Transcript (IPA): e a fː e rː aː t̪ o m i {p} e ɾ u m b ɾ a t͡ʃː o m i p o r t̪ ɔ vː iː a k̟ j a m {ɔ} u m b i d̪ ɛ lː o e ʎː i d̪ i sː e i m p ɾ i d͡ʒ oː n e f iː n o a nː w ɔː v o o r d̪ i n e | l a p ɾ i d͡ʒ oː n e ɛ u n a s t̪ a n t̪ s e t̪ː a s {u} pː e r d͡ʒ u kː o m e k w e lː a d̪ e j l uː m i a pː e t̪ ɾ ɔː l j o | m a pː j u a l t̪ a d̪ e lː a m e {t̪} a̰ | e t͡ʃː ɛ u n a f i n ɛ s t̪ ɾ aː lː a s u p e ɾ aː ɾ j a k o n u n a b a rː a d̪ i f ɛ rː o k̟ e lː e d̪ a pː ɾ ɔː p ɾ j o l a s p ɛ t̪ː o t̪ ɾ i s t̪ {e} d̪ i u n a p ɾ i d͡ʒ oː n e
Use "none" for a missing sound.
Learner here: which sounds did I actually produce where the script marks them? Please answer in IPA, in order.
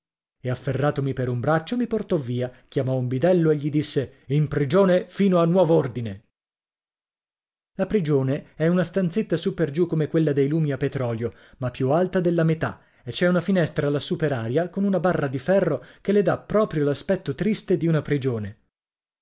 p, ɔ, u, t̪, e

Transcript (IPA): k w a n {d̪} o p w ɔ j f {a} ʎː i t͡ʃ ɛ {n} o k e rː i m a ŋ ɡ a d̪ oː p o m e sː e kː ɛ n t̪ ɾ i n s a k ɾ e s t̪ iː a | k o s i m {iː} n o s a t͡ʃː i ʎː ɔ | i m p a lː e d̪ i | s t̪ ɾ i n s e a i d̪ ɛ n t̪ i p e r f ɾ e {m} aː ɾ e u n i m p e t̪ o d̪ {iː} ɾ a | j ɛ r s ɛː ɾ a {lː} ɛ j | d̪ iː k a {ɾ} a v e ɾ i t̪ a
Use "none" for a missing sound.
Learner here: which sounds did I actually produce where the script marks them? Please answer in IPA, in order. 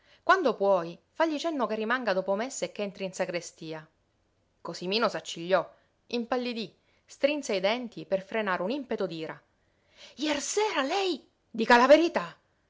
d̪, a, nː, iː, n, iː, l, l

